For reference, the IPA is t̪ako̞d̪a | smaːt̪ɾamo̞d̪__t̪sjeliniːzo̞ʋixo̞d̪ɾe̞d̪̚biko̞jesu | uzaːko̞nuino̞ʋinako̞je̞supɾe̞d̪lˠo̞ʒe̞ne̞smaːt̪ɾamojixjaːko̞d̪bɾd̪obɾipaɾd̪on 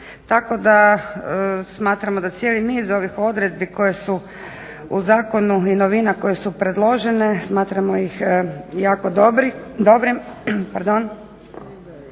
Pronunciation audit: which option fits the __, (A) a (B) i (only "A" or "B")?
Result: A